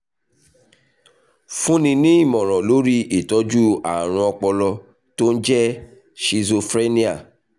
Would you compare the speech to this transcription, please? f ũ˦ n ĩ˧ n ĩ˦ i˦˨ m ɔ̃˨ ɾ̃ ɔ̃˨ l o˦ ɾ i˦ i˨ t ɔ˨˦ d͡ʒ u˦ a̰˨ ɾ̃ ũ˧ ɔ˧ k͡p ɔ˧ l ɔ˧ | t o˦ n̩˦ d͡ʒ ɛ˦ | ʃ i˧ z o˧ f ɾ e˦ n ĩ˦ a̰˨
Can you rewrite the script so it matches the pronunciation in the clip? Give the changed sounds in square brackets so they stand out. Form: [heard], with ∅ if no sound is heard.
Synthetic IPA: f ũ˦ n ĩ˧ n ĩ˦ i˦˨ m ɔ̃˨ ɾ̃ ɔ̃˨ l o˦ ɾ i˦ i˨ t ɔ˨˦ d͡ʒ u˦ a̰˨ ɾ̃ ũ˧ ɔ˧ k͡p ɔ˧ l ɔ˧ | t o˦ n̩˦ d͡ʒ ɛ˦ | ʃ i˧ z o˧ f ɾ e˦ n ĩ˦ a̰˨